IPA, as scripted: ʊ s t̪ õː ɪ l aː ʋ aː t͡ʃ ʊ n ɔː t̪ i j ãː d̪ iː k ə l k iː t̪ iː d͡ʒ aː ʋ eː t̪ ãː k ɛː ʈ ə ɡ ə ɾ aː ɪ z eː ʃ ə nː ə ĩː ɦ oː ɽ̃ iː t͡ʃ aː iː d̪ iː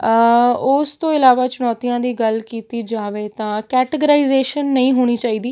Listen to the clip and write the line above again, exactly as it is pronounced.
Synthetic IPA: ʊ s t̪ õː ɪ l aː ʋ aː t͡ʃ ʊ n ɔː t̪ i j ãː d̪ iː ɡ ə l k iː t̪ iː d͡ʒ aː ʋ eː t̪ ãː k ɛː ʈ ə ɡ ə ɾ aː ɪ z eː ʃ ə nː ə ĩː ɦ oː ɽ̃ iː t͡ʃ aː iː d̪ iː